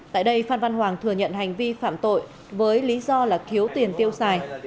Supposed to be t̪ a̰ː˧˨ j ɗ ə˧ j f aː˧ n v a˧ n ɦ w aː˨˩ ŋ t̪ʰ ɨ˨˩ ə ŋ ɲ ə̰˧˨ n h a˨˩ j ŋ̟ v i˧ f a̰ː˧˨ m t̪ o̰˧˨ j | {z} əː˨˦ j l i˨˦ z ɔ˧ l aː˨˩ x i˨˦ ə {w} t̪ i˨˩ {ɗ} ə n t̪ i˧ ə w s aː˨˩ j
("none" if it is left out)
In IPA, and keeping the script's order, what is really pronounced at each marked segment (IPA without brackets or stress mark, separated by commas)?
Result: v, w, none